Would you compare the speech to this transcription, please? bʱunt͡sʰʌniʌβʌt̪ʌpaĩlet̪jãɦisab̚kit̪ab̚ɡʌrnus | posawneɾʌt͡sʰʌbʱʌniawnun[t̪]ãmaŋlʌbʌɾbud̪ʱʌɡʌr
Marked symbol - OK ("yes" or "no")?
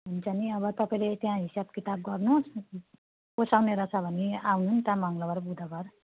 yes